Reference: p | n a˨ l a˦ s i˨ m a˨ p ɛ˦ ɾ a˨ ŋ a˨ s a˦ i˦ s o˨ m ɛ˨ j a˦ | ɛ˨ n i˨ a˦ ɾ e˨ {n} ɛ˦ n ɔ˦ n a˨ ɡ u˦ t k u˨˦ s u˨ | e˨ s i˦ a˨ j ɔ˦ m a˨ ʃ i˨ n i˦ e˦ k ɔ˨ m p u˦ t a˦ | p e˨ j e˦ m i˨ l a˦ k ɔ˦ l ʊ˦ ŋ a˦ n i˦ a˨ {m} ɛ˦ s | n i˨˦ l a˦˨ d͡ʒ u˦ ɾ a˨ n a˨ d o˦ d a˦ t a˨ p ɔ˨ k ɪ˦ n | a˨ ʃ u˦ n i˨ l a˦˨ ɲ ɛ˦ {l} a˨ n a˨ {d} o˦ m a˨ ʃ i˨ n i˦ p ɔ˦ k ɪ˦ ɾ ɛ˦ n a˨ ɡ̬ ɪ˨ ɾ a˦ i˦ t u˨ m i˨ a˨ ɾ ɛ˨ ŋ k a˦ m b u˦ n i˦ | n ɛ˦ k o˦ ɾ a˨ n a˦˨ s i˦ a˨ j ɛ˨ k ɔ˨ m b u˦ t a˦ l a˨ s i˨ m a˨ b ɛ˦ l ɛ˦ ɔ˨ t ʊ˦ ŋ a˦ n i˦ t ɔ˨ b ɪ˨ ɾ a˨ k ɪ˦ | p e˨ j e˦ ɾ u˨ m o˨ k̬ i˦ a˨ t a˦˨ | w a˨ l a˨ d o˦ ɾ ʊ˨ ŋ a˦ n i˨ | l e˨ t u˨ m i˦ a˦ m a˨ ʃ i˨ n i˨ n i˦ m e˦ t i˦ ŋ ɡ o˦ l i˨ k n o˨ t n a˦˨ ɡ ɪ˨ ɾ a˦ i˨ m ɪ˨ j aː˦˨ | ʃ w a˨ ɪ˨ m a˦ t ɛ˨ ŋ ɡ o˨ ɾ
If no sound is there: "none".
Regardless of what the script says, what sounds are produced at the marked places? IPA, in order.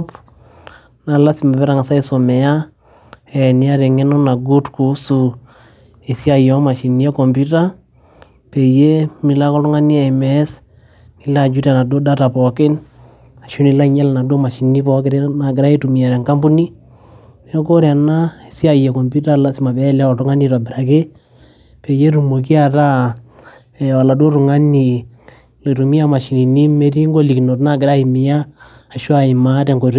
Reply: ŋ, m, l, d

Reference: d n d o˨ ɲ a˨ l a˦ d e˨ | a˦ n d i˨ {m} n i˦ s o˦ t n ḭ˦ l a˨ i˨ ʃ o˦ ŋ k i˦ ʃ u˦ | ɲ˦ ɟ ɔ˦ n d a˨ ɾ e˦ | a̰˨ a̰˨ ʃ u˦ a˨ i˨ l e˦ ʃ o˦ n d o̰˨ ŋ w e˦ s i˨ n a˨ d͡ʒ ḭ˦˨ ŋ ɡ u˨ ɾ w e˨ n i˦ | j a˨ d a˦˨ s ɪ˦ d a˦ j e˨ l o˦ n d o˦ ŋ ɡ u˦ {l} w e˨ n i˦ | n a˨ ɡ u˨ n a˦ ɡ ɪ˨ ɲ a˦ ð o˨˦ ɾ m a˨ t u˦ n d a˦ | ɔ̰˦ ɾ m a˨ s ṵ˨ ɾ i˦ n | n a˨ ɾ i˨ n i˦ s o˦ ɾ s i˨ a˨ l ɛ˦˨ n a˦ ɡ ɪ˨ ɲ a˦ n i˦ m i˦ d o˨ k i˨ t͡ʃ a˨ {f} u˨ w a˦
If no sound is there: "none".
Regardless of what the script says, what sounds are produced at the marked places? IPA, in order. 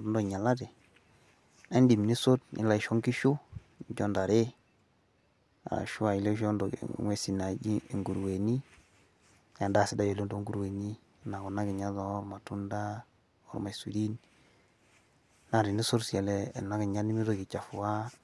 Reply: m, ɾ, f

